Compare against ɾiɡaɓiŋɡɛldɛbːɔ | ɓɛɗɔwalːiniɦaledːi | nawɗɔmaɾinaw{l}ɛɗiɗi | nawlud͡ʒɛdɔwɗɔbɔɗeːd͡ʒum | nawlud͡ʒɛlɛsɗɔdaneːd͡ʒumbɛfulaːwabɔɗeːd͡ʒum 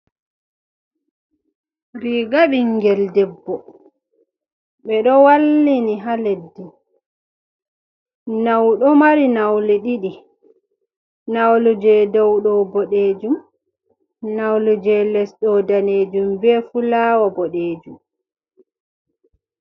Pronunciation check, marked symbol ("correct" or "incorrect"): correct